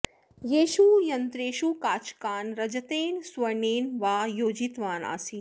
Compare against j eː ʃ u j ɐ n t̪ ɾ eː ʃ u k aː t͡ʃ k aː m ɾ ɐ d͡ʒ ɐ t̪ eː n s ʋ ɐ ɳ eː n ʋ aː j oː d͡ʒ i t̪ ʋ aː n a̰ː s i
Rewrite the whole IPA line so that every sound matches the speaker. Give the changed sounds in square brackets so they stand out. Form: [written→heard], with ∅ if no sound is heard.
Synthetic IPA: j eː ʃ u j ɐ n t̪ ɾ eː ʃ u k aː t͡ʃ k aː [m→n] ɾ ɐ d͡ʒ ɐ t̪ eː n s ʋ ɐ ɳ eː n ʋ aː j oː d͡ʒ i t̪ ʋ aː n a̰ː s i